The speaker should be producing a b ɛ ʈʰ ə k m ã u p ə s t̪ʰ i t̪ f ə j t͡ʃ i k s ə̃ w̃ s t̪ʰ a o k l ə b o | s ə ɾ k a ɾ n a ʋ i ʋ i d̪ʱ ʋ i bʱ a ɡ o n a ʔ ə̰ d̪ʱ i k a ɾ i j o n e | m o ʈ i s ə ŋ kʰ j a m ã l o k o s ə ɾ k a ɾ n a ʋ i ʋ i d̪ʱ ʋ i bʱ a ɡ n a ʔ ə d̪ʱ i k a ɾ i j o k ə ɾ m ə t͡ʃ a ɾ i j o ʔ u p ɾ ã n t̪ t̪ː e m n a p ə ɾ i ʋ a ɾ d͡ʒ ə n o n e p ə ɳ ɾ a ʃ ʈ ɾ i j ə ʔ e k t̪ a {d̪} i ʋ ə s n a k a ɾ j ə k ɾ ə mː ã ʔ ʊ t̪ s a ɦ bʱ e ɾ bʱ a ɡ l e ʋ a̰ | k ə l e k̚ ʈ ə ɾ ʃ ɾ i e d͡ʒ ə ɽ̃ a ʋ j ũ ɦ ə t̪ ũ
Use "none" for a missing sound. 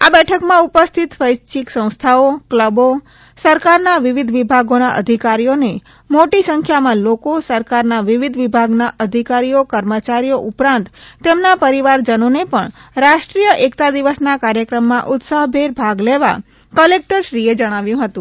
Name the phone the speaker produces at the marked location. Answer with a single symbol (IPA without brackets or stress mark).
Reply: d̪